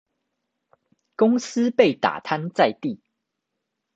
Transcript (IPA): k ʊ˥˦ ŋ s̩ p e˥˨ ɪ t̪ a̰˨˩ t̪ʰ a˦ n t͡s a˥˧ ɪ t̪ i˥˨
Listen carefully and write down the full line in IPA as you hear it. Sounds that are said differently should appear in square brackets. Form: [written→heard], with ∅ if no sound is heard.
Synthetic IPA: k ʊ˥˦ ŋ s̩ p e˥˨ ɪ t̪ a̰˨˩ t̪ʰ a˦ n t͡s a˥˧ ɪ t̪ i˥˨